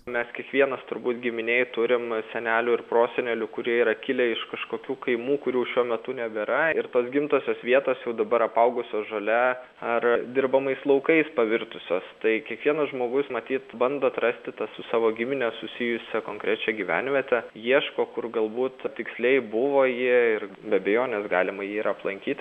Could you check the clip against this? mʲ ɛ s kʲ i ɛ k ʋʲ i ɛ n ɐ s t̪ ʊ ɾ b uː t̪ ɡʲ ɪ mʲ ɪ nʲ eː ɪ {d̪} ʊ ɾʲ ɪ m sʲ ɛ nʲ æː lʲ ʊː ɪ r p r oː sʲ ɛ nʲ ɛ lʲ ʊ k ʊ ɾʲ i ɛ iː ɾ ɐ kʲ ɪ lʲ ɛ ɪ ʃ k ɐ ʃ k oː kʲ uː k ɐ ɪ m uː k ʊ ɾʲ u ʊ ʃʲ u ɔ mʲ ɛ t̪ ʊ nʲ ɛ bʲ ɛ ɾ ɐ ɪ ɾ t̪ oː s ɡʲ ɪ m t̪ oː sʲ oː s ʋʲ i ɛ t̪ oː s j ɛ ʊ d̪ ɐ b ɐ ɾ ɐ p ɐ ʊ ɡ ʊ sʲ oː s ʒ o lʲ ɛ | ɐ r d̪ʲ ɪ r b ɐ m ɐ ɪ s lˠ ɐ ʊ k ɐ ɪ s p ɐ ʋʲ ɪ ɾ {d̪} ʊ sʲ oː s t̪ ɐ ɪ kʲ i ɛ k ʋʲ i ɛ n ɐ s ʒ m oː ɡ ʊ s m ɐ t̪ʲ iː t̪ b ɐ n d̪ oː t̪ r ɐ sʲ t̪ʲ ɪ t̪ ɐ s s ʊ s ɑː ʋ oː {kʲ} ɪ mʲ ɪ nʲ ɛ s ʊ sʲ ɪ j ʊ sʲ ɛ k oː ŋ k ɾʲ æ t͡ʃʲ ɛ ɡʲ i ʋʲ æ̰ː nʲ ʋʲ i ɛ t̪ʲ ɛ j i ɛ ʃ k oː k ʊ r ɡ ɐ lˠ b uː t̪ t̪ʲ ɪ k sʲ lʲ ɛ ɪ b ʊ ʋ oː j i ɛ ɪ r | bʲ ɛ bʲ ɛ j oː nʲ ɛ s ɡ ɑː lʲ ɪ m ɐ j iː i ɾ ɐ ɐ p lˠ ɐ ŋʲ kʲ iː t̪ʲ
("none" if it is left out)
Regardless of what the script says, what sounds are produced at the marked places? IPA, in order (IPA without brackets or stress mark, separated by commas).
t̪, t̪, ɡʲ